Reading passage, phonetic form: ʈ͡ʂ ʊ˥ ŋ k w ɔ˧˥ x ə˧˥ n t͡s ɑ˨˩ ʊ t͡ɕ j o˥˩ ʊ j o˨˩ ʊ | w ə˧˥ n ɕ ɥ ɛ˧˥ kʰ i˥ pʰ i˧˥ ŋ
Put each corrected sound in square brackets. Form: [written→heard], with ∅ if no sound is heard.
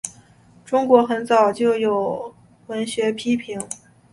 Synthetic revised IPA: ʈ͡ʂ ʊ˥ ŋ k w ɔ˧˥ x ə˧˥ n t͡s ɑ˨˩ ʊ t͡ɕ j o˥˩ ʊ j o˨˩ ʊ | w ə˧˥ n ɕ ɥ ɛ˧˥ [kʰ→pʰ] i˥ pʰ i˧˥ ŋ